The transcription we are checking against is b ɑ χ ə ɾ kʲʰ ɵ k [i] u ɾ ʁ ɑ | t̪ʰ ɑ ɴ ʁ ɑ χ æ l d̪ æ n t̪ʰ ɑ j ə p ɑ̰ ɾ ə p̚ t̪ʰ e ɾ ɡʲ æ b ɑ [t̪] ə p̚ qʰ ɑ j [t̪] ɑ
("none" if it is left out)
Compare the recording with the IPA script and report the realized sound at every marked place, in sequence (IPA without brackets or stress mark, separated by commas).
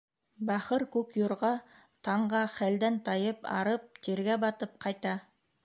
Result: j, t̪, t̪